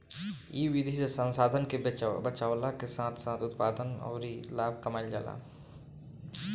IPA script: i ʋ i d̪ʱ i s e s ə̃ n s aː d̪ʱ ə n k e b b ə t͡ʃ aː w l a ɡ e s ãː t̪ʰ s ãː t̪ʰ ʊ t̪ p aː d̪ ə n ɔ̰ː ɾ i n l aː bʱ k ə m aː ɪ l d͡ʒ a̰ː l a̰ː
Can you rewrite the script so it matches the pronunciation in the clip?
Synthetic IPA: i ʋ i d̪ʱ i s e s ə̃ n s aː d̪ʱ ə n k e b b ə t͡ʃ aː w l a k e s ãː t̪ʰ s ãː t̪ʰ ʊ t̪ p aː d̪ ə n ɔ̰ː ɾ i l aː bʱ k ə m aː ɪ l d͡ʒ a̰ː l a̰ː

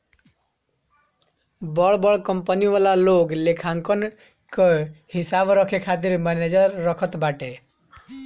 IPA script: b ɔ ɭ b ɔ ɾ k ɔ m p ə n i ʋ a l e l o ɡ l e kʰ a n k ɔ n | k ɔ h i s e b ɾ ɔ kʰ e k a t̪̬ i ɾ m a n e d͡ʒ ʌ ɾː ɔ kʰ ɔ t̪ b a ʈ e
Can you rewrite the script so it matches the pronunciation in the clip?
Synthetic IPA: b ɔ ɭ b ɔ ɭ k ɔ m p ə n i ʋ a l a l o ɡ l e kʰ a ŋ k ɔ n | k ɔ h i s a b ɾ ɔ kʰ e kʰ a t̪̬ i ɾ m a n e d͡ʒ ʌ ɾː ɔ kʰ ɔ t̪ b a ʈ e

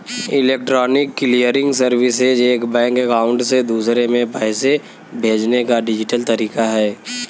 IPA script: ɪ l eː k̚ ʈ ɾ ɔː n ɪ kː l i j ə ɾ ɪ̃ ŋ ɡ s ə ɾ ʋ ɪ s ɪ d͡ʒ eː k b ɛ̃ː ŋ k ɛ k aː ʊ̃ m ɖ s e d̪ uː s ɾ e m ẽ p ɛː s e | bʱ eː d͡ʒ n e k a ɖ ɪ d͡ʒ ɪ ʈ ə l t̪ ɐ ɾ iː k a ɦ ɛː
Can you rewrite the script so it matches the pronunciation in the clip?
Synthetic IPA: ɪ l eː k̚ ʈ ɾ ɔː n ɪ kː l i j ə ɾ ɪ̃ ŋ ɡ s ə ɾ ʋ ɪ s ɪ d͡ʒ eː k b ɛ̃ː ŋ k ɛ k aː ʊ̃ ɳ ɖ s e d̪ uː s ɾ e m ẽ p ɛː s e | bʱ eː d͡ʒ n e k a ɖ ɪ d͡ʒ ɪ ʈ ə l t̪ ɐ ɾ iː k a ɦ ɛː

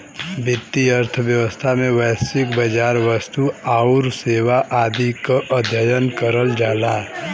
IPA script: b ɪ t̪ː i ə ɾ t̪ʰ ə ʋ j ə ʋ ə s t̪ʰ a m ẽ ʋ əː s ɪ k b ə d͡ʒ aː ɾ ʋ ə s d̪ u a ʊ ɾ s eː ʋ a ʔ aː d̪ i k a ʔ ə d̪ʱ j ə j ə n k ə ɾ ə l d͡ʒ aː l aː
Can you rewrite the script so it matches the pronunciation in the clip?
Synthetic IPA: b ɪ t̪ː i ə ɾ t̪ʰ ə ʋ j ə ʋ ə s t̪ʰ a m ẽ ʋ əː s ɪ k b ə d͡ʒ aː ɾ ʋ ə s t̪ u a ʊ ɾ s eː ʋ a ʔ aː d̪ i k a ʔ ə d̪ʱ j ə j ə n k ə ɾ ə l d͡ʒ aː l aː

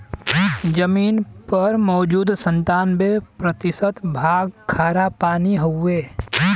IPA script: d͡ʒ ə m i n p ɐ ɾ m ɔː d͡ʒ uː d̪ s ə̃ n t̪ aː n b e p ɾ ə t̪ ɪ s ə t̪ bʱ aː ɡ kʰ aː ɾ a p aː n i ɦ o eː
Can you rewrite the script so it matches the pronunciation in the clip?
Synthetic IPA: d͡ʒ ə m iː n p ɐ ɾ m ɔː d͡ʒ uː d̪ s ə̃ n t̪ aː n b e p ɾ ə t̪ ɪ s ə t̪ bʱ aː ɡ kʰ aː ɾ a p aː n i ɦ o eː

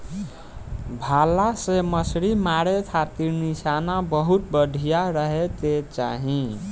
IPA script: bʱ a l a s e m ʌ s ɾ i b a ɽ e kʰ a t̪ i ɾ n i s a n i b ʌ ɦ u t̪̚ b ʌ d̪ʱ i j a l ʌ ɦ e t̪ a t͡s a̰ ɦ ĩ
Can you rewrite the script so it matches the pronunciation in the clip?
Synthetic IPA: bʱ a l a s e m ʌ s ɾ i m a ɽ e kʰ a t̪ i ɾ n i s a n a b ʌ ɦ u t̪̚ b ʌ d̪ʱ i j a ɾ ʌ ɦ e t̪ e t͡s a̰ ɦ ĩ

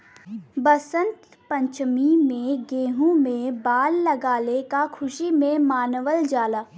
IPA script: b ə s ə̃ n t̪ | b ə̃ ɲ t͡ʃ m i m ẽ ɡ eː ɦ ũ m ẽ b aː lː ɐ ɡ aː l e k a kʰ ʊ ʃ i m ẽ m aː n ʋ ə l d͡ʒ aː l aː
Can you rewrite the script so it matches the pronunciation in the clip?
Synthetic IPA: b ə s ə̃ n t̪ | p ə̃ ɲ t͡ʃ m i m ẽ ɡ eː ɦ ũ m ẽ b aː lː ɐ ɡ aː l e k a kʰ ʊ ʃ i m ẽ m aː n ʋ ə l d͡ʒ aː l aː

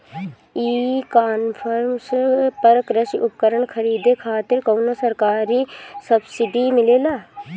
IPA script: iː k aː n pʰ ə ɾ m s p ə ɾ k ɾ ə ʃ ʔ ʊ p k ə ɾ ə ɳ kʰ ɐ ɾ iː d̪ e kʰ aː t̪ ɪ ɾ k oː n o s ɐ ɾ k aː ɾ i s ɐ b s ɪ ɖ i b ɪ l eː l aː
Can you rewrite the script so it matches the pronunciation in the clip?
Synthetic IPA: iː k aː n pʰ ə ɾ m s p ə ɾ k ɾ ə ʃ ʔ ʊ p k ə ɾ ə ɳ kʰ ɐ ɾ iː d̪ e kʰ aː t̪ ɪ ɾ k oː n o s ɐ ɾ k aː ɾ i s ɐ b s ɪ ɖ i m ɪ l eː l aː

